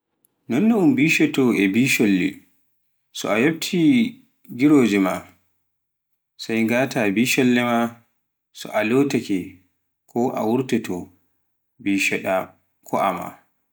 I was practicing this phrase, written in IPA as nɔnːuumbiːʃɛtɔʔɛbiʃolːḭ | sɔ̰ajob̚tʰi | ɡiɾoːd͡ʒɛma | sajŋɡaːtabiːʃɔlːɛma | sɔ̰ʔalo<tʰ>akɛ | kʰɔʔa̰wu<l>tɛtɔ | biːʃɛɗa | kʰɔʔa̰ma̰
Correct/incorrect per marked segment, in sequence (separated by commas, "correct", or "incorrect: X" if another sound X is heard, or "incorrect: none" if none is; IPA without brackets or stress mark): incorrect: t, incorrect: ɾ